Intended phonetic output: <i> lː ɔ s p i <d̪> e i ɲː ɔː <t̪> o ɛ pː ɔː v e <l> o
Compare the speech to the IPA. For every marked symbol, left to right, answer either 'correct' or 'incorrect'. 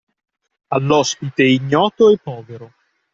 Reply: incorrect: a, incorrect: t̪, correct, incorrect: ɾ

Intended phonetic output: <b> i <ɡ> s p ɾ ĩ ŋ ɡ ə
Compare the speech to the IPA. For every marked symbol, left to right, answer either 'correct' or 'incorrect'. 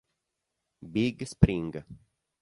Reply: correct, correct

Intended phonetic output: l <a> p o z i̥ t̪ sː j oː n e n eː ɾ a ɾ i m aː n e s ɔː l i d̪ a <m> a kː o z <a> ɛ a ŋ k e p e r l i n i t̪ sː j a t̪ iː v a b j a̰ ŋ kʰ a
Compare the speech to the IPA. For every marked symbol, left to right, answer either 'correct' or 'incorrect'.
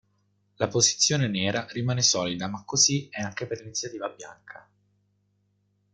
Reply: correct, correct, incorrect: i

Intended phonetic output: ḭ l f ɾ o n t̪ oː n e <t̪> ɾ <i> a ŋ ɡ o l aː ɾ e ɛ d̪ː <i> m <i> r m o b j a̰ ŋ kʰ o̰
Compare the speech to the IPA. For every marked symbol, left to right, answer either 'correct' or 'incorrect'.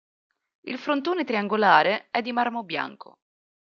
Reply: correct, correct, correct, incorrect: a

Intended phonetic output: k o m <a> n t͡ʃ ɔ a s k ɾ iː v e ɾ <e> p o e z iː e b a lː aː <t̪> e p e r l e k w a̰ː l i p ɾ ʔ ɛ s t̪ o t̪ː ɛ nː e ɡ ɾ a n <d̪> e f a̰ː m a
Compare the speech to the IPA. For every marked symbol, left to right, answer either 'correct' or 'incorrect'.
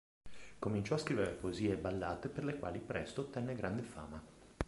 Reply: incorrect: i, correct, correct, correct

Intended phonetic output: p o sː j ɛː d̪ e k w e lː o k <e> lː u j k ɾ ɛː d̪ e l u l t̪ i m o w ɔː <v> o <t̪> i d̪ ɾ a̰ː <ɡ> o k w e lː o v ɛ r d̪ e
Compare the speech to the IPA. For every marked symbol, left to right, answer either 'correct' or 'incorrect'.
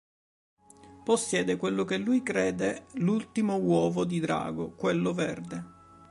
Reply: correct, correct, incorrect: d̪, correct

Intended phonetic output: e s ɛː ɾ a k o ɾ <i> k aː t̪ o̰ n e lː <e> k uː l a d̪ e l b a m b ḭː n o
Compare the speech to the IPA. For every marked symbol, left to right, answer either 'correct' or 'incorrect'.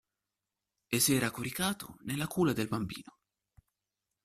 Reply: correct, incorrect: a

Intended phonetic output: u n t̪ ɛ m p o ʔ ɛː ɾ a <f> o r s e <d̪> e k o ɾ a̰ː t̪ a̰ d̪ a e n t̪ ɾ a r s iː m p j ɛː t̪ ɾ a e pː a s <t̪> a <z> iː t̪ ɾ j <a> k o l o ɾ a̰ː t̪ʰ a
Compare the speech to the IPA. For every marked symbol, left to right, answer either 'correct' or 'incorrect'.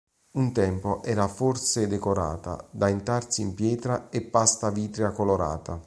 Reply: correct, correct, correct, incorrect: v, correct

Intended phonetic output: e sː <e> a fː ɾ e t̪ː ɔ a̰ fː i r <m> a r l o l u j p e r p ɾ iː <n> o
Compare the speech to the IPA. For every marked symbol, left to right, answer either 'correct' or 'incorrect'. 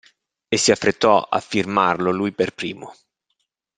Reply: incorrect: i, correct, incorrect: m

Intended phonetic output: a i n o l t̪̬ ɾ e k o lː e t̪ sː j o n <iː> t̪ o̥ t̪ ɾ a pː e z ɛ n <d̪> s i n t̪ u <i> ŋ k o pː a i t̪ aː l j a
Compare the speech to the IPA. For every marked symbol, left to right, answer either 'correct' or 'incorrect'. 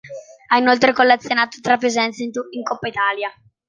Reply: incorrect: aː, incorrect: t̪, correct

